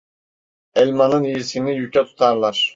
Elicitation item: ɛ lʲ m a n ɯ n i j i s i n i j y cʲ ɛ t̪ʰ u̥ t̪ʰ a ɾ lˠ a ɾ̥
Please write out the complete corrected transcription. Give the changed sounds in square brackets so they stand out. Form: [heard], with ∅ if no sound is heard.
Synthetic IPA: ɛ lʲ m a n ɯ n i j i s i n i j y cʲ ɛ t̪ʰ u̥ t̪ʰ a ɾ lˠ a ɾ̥

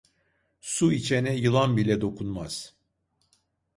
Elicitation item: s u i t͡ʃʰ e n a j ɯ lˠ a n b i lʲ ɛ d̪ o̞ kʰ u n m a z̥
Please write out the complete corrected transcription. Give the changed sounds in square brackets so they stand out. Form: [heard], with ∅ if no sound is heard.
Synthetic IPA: s u i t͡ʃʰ e n [ɛ] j ɯ lˠ a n b i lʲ ɛ d̪ o̞ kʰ u n m a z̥

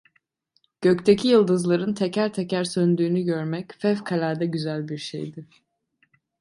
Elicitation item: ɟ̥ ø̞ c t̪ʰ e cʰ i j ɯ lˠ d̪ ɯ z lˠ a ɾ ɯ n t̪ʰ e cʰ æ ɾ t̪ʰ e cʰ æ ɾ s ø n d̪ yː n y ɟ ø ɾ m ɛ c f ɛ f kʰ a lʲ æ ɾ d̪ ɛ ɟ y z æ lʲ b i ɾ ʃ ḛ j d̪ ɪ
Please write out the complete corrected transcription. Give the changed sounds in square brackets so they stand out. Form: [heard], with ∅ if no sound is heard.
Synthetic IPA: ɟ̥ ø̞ c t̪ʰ e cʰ i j ɯ lˠ d̪ ɯ z lˠ a ɾ ɯ n t̪ʰ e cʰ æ ɾ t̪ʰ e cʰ æ ɾ s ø n d̪ yː n y ɟ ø ɾ m ɛ c f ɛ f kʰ a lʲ æ ɾ d̪ ɛ ɟ y z æ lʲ b i ɾ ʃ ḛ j d̪ ɪ

